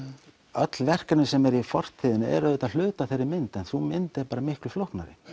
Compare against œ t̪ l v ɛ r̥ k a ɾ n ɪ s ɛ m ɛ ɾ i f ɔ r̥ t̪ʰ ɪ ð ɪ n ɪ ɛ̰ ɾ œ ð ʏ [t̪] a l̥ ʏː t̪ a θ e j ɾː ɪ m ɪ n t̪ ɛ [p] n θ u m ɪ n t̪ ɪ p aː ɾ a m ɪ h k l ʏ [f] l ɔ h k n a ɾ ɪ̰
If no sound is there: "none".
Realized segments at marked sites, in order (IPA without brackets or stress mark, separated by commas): t̪, none, f